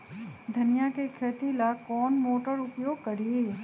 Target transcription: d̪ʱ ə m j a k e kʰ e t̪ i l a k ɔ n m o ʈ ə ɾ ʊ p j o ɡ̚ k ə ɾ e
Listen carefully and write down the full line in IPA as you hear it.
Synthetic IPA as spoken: d̪ʱ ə n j a k e kʰ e t̪ i l a k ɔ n m o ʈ ə ɾ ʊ p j o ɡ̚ k ə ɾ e